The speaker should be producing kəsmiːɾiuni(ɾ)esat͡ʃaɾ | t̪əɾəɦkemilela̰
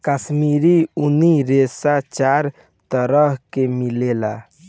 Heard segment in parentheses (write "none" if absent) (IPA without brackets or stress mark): ɾ